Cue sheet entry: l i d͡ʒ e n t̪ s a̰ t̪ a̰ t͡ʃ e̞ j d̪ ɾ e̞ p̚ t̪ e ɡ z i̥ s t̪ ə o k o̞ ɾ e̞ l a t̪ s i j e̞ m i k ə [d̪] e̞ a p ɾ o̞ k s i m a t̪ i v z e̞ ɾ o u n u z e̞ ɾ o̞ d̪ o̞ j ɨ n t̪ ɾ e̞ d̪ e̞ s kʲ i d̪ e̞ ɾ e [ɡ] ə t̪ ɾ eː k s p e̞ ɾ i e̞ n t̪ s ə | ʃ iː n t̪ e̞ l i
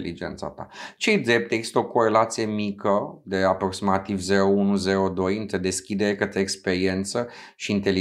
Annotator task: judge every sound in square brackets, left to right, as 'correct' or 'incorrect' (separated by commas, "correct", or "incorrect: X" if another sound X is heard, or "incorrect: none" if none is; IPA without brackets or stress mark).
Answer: correct, incorrect: k